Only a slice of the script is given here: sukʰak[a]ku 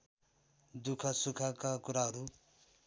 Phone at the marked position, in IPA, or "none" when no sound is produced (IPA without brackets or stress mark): a